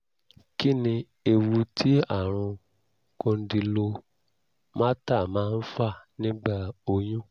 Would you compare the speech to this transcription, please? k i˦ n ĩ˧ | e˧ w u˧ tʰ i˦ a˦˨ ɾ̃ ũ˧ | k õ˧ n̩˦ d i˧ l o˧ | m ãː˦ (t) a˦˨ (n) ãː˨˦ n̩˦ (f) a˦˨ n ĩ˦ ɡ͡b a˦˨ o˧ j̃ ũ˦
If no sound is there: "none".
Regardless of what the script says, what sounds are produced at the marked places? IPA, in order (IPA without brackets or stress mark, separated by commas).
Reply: t, m, f